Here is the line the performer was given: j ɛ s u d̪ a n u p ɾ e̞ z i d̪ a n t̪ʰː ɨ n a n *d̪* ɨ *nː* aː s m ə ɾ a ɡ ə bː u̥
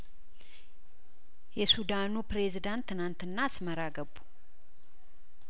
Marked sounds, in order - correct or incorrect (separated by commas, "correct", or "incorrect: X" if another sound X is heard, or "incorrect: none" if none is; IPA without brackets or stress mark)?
incorrect: t̪, correct